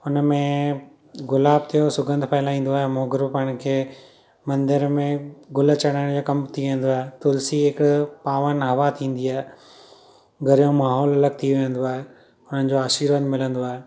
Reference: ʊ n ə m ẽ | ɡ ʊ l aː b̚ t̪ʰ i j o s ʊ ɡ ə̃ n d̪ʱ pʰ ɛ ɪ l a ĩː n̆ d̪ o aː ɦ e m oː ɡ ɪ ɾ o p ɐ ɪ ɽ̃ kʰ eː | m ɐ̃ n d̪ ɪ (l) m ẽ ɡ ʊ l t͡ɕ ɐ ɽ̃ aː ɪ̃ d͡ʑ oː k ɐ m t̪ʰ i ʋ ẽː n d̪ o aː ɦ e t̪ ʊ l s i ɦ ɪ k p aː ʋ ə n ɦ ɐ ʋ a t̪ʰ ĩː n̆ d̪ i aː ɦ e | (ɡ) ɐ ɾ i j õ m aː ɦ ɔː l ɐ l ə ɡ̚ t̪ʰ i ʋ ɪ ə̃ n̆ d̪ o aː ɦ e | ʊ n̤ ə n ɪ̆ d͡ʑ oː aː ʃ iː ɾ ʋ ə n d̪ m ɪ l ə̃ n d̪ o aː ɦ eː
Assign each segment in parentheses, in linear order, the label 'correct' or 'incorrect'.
incorrect, correct

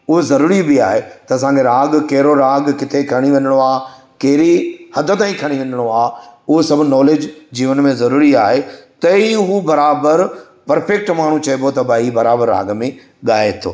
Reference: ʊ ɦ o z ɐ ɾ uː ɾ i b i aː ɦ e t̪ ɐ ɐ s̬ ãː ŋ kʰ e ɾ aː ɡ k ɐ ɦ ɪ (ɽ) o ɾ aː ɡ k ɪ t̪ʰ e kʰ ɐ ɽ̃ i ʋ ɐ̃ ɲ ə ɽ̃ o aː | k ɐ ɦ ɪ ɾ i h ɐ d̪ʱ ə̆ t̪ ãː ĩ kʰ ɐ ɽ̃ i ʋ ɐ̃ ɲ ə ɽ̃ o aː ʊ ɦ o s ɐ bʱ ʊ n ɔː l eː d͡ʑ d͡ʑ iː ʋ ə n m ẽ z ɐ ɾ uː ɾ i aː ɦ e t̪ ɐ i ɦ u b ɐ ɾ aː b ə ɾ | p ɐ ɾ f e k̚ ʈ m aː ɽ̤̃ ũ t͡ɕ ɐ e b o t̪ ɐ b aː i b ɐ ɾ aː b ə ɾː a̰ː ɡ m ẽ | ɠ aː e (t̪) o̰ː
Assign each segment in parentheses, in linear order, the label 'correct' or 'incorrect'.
incorrect, incorrect

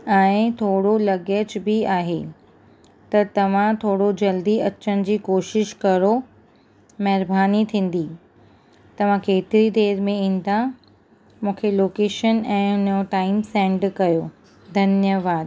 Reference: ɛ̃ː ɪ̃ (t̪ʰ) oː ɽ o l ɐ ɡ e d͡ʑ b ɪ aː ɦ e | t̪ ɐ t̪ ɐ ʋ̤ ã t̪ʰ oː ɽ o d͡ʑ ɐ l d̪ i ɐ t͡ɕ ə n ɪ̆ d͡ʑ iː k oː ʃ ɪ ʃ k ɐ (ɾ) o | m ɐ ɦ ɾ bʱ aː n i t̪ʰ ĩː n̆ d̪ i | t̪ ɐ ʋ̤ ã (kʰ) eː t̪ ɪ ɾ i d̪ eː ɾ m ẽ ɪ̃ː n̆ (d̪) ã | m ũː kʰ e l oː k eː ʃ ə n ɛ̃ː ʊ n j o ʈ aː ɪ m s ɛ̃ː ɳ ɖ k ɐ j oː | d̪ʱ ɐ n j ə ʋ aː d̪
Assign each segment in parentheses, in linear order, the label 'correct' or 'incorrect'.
correct, correct, incorrect, correct

